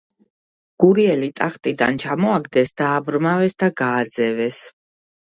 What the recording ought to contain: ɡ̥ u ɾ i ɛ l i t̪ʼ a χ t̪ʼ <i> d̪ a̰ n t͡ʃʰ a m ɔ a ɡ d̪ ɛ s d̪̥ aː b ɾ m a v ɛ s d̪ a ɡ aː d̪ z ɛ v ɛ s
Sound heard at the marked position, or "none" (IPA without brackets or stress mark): i